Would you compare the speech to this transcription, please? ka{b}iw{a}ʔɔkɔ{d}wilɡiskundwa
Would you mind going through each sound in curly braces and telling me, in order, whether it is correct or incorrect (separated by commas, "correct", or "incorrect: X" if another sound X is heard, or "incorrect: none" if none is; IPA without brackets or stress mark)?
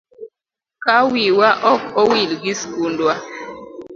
incorrect: w, correct, incorrect: none